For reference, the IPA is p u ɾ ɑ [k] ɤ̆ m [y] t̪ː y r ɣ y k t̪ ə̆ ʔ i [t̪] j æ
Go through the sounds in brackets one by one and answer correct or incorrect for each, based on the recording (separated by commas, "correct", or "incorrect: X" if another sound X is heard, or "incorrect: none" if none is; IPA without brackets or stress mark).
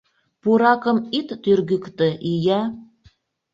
correct, incorrect: i, incorrect: none